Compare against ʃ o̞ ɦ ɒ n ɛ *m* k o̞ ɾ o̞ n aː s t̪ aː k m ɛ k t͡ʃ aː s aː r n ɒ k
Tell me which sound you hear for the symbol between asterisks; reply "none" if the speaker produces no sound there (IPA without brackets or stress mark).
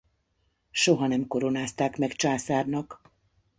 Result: m